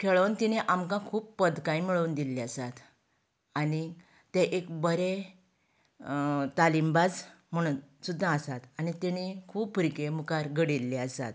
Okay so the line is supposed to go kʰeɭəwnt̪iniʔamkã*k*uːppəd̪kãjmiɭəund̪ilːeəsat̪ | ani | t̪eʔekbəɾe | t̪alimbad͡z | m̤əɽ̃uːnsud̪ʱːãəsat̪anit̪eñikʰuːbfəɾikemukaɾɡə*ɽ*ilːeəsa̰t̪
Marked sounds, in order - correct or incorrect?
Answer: incorrect: kʰ, correct

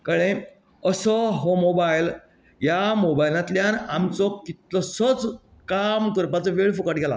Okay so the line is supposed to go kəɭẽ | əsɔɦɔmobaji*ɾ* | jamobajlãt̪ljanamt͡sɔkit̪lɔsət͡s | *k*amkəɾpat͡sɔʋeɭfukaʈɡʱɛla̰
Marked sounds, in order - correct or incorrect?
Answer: incorrect: l, correct

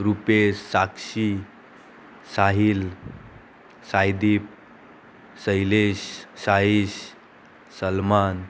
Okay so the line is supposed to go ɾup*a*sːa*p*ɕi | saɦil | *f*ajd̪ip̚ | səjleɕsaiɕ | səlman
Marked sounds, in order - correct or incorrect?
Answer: incorrect: e, incorrect: k, incorrect: s

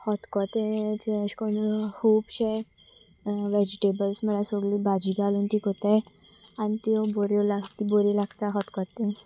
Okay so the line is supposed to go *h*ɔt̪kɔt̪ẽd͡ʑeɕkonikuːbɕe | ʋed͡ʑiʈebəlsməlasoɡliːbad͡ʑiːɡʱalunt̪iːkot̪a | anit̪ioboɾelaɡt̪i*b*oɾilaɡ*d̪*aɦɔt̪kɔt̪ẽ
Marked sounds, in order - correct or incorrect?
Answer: correct, correct, incorrect: t̪

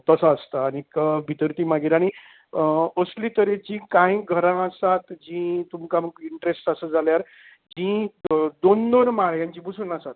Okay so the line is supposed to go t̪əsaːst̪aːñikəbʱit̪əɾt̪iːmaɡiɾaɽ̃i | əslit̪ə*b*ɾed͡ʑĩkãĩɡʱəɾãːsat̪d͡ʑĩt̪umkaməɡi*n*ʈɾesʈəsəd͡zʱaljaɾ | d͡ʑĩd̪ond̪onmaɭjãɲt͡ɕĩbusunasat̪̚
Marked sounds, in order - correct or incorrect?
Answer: incorrect: none, incorrect: ɳ

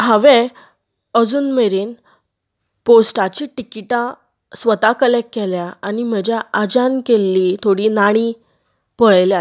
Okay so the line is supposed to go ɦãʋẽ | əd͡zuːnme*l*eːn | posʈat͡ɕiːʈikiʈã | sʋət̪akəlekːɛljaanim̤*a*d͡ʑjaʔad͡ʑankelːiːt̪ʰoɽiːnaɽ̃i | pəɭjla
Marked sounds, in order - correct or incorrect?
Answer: incorrect: ɾ, incorrect: ə

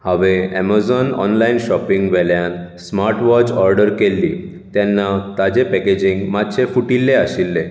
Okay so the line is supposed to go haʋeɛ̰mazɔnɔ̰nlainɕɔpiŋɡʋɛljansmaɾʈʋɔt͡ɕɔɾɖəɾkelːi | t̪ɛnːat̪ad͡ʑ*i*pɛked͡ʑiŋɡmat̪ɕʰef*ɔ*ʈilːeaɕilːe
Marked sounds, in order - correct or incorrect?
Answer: incorrect: e, incorrect: u

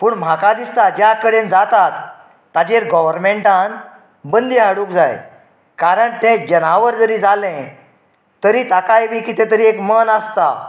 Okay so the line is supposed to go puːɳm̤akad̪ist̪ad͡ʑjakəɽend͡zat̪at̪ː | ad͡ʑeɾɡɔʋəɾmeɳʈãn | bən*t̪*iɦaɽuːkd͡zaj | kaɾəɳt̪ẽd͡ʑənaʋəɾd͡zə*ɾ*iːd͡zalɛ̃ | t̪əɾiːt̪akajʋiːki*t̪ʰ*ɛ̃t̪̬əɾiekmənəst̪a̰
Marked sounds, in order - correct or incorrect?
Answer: incorrect: d̪, correct, incorrect: t̪

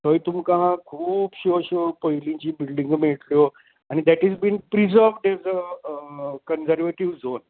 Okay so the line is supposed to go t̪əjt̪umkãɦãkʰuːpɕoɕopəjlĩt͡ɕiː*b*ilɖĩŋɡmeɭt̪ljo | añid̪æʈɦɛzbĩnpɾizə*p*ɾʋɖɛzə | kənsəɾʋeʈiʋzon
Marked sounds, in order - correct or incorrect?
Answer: correct, incorrect: none

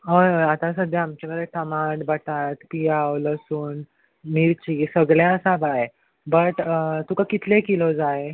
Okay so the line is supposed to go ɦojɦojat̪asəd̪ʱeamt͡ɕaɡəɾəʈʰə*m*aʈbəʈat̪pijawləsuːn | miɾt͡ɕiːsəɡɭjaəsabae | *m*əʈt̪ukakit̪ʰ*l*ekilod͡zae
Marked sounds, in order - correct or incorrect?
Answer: correct, incorrect: b, correct

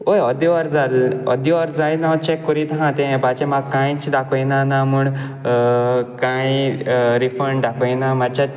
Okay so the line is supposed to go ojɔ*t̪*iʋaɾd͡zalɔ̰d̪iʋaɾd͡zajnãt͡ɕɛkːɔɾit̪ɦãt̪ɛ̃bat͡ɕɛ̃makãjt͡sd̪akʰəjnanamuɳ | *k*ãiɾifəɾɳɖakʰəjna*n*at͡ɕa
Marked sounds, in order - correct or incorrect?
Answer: incorrect: d̪, correct, incorrect: m

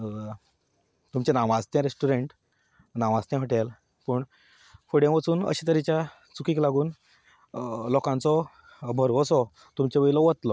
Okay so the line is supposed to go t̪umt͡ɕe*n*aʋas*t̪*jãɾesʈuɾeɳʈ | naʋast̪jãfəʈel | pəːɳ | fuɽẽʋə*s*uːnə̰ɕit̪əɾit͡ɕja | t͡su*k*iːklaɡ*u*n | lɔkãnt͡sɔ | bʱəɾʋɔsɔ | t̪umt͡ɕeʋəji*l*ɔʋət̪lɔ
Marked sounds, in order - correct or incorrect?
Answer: correct, correct, incorrect: t͡s, correct, incorrect: uː, correct

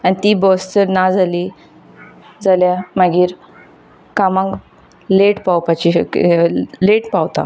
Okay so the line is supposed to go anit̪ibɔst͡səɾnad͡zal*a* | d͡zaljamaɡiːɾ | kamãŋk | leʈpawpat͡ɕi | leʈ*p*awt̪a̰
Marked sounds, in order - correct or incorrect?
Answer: incorrect: i, correct

